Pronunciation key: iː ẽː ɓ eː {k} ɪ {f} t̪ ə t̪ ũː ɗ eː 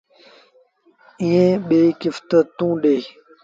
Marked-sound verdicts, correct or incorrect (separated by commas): correct, correct